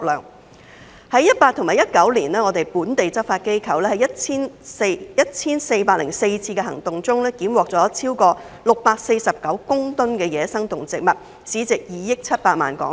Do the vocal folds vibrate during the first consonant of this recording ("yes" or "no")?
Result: yes